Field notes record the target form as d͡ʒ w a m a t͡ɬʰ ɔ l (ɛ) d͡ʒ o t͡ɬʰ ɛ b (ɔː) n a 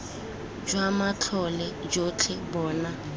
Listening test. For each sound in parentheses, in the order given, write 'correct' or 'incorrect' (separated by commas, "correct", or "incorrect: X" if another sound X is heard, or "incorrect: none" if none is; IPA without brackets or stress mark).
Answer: correct, correct